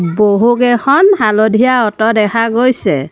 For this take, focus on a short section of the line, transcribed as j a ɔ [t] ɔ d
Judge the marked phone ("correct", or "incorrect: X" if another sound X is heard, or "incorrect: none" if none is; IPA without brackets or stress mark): correct